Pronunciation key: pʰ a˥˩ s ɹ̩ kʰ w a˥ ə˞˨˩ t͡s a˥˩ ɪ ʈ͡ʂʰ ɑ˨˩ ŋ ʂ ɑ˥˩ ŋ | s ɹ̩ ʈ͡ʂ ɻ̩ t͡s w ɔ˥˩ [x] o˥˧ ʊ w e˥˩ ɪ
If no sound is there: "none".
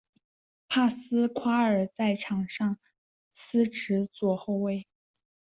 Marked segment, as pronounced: x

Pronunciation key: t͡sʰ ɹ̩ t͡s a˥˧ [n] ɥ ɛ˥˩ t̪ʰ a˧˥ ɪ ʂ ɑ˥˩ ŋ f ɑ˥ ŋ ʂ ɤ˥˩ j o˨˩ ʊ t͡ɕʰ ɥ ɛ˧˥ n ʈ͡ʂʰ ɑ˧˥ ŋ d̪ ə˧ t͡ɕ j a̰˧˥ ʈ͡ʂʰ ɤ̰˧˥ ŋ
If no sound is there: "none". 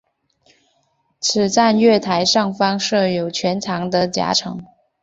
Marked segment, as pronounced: n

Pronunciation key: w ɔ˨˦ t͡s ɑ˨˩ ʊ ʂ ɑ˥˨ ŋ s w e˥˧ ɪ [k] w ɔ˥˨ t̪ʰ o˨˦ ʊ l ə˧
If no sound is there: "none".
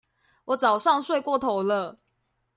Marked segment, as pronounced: k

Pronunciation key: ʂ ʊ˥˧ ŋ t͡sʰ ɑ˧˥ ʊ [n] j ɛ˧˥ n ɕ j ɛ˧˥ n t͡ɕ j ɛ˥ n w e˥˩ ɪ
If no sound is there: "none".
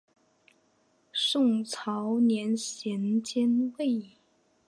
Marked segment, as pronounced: n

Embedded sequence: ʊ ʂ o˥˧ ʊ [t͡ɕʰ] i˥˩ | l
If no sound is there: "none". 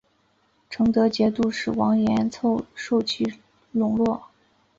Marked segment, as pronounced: t͡ɕʰ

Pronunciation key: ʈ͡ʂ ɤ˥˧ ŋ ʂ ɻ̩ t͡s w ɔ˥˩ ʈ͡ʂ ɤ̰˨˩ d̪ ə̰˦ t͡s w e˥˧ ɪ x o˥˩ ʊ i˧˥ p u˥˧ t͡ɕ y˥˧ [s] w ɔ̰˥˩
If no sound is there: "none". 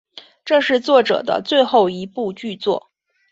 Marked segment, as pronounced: t͡s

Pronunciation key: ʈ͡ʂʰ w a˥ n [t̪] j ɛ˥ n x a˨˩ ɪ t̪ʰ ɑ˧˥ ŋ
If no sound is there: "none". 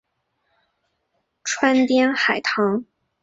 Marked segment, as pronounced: t̪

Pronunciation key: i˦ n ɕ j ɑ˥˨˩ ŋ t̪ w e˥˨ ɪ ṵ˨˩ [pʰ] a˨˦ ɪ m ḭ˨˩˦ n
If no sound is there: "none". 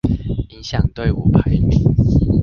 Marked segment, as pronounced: pʰ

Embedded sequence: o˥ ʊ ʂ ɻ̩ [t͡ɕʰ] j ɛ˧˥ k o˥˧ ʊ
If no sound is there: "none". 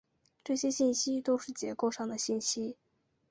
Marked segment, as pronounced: t͡ɕ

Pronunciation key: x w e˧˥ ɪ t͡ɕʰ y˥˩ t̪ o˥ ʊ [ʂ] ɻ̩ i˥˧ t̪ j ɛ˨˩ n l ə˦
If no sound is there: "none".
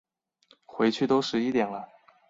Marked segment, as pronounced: ʂ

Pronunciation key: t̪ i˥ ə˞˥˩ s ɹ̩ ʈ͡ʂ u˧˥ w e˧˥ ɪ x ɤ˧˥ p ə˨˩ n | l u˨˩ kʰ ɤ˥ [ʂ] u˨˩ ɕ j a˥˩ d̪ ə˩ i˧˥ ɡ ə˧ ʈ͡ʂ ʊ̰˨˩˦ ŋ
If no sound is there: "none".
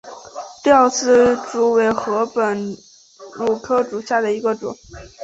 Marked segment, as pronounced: ʈ͡ʂ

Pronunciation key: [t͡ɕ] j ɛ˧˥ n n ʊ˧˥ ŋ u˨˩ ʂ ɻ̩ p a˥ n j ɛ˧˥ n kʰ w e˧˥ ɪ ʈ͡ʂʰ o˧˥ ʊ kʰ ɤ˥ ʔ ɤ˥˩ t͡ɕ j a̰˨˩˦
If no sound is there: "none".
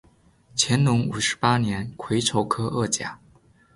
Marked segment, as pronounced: t͡ɕʰ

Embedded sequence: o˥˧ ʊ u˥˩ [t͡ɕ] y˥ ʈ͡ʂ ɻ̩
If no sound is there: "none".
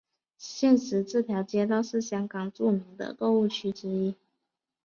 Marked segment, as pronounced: t͡ɕʰ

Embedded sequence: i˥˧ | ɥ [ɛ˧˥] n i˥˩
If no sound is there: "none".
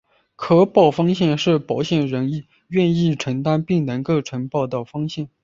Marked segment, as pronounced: ɛ˥˧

